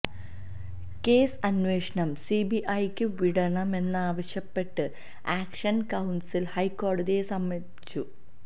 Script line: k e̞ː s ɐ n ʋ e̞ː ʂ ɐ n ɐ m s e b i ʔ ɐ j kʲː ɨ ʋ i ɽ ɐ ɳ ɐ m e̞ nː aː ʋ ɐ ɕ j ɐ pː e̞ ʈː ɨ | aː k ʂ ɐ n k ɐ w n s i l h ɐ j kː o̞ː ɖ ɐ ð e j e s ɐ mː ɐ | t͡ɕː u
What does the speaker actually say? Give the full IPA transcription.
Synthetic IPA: k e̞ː s ɐ n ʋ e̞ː ʂ ɐ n ɐ m s i b i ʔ ɐ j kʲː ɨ ʋ i ɽ ɐ ɳ ɐ m e̞ nː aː ʋ ɐ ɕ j ɐ pː e̞ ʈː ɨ | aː k ʂ ɐ n k ɐ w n s i l h ɐ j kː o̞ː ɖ ɐ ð i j e s ɐ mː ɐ | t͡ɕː u